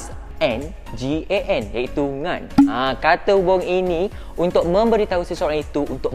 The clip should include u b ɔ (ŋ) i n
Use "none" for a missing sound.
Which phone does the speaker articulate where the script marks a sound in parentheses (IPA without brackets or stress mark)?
ŋ